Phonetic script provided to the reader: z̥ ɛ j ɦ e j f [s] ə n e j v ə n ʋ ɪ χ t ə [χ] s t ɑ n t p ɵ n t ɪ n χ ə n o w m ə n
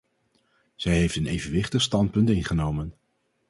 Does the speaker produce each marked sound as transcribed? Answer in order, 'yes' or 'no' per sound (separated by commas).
no, yes